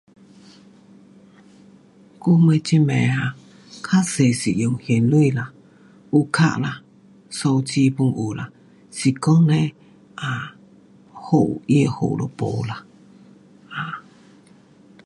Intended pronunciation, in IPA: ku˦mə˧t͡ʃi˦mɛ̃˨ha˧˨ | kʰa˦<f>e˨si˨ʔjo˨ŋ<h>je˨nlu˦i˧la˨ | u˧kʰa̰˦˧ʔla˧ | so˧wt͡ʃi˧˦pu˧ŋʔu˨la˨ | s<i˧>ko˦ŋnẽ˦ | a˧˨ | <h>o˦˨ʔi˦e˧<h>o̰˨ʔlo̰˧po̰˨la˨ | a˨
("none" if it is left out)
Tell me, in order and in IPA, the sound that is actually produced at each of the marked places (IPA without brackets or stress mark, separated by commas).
s, h, i˧, h, h